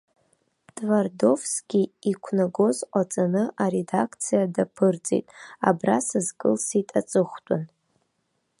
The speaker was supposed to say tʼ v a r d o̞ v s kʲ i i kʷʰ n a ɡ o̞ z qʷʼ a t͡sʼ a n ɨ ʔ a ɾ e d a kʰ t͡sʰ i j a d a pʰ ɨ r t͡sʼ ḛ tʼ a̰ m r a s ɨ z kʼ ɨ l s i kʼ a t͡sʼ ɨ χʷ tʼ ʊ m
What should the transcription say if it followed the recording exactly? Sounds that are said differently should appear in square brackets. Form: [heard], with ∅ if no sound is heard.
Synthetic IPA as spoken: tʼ v a r d o̞ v s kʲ i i kʷʰ n a ɡ o̞ z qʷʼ a t͡sʼ a n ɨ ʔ a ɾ e d a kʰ t͡sʰ i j a d a pʰ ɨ r t͡sʼ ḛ tʼ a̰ [b] r a s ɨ z kʼ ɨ l s i [tʼ] a t͡sʼ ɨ χʷ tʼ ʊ [n]